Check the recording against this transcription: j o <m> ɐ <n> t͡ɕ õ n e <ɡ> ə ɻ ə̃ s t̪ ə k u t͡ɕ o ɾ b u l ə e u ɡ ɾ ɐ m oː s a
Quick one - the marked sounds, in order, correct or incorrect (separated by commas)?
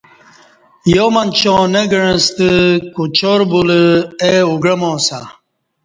correct, correct, correct